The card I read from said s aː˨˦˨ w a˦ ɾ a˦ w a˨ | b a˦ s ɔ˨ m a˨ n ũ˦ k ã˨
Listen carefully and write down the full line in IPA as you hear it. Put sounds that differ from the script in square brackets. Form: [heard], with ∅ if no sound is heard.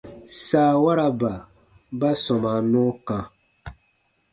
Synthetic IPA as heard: s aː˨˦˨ w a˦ ɾ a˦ [b] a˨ | b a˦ s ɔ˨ m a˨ n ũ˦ k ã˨